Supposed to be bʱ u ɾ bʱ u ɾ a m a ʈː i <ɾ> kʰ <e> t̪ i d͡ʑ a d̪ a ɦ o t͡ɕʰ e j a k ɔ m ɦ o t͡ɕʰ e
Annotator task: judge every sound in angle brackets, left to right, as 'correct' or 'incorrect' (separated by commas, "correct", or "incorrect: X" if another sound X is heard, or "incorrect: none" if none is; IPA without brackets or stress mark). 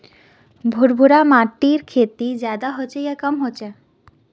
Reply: correct, correct